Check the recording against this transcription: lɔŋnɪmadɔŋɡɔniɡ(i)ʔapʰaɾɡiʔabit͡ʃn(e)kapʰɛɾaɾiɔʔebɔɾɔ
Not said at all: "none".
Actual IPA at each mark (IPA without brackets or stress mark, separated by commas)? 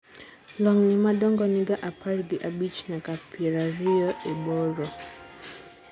a, a